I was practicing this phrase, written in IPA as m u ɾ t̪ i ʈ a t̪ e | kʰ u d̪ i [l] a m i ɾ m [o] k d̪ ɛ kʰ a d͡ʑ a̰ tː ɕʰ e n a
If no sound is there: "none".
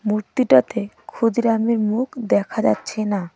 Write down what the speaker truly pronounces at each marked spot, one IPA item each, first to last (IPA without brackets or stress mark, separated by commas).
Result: ɾ, u